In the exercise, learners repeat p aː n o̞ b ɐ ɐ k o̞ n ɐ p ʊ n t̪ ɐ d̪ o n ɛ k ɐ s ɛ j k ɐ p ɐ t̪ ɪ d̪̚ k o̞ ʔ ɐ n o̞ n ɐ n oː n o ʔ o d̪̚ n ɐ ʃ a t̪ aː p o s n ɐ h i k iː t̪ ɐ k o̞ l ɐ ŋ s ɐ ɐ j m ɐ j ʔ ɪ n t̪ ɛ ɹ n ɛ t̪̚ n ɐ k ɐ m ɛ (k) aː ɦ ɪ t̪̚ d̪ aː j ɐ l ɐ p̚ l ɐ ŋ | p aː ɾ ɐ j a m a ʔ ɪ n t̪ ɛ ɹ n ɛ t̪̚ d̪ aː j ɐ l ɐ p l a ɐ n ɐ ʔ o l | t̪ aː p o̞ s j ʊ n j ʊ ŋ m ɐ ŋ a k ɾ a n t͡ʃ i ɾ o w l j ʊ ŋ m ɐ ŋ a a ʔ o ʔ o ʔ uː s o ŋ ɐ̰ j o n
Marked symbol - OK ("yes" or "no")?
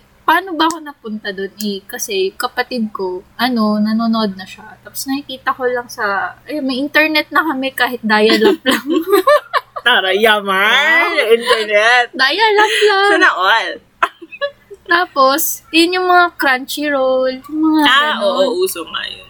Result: yes